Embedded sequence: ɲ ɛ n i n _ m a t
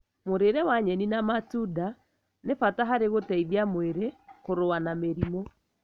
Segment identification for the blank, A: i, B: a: B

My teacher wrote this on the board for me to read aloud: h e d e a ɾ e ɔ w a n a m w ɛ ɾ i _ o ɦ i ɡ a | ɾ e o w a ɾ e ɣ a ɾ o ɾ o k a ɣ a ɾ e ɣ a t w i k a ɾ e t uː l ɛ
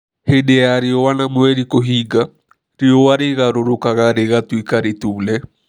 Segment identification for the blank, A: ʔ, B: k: B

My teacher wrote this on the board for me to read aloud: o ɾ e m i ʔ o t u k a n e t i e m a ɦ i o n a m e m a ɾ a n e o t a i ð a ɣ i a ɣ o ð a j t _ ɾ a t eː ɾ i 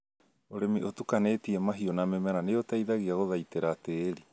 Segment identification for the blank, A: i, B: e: B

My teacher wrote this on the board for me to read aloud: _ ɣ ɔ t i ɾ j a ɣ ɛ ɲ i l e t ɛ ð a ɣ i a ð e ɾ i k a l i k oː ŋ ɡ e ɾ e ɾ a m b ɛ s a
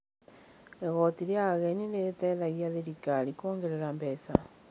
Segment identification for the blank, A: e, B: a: A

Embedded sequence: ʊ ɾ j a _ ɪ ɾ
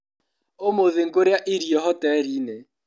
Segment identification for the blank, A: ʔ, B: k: A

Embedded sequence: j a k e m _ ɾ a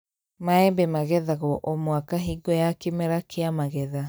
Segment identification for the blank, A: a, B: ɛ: B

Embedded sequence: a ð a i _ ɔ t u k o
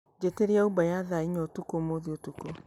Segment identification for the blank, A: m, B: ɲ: B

